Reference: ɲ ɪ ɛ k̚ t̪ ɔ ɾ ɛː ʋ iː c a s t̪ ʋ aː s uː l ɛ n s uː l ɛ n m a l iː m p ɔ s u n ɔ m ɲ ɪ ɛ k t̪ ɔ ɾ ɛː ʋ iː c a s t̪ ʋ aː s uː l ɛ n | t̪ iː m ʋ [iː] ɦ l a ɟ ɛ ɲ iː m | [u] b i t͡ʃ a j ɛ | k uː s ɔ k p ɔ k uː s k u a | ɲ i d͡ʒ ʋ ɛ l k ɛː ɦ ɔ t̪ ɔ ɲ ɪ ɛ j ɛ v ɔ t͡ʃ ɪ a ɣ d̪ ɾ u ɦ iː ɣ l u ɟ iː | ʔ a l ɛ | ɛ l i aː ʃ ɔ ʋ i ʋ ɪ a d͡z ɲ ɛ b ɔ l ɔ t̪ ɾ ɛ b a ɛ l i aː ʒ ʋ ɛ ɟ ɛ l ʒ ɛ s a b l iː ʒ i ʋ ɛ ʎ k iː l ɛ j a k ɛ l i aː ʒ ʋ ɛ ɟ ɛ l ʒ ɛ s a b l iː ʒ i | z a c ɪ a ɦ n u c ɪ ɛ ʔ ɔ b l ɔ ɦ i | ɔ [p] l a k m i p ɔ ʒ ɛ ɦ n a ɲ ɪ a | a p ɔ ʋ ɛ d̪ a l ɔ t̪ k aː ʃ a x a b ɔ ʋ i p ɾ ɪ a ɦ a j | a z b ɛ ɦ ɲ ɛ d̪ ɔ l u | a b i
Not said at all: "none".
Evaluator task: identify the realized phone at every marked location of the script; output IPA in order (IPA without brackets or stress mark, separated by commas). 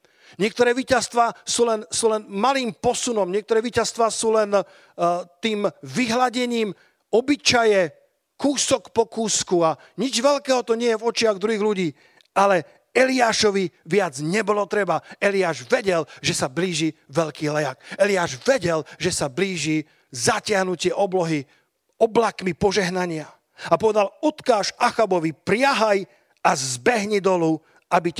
i, ɔ, b